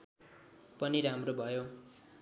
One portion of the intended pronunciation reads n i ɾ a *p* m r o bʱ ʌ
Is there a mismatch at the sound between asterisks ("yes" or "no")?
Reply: yes